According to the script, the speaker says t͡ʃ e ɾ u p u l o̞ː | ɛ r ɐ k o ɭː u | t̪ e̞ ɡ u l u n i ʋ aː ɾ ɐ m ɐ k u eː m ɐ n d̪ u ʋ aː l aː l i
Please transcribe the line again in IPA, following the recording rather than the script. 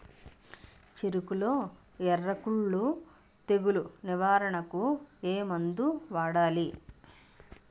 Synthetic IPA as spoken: t͡ʃ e ɾ u k u l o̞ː | ɛ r ɐ k u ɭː u | t̪ e̞ ɡ u l u n i ʋ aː ɾ ɐ ɳ ɐ k u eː m ɐ n d̪ u ʋ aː ɽ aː l i